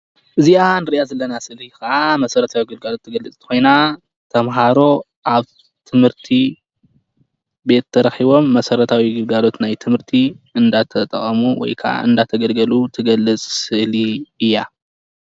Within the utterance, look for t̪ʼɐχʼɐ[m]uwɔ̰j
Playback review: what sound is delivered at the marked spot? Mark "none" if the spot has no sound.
m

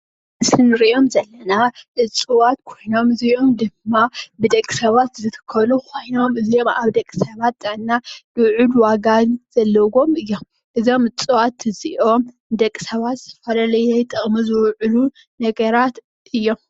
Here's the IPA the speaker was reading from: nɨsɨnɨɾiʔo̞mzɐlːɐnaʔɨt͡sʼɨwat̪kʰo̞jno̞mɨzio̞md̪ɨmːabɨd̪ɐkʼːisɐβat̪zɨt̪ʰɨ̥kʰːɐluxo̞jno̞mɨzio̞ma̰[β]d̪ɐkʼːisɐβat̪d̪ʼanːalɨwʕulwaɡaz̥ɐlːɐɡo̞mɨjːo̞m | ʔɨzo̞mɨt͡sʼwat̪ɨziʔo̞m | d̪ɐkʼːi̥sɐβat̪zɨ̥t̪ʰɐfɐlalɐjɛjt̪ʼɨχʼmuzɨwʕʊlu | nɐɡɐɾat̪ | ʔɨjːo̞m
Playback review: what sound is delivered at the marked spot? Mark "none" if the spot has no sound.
β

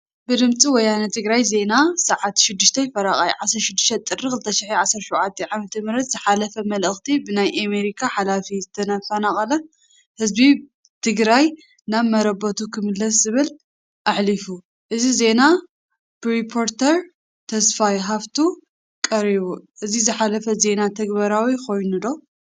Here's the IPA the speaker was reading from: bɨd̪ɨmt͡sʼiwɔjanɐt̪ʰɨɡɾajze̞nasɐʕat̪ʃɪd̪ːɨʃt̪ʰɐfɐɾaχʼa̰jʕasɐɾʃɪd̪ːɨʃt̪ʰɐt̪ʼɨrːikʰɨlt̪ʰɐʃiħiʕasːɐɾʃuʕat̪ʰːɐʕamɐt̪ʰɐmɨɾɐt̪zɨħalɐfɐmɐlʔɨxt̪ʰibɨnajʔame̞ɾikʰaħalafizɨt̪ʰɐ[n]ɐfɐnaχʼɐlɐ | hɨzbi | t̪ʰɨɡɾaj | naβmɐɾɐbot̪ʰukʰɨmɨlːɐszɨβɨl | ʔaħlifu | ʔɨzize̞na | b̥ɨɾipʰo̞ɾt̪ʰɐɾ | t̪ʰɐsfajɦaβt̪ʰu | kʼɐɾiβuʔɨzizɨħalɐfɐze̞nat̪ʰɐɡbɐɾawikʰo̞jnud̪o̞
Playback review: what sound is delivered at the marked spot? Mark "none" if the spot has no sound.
n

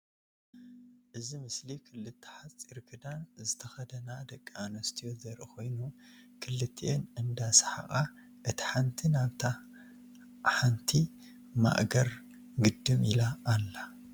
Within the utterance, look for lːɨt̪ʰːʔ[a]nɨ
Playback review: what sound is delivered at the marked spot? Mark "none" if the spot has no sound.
e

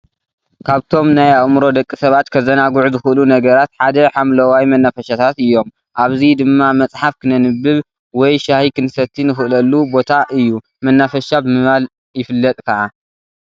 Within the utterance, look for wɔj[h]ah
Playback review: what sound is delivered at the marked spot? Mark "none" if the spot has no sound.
ʃ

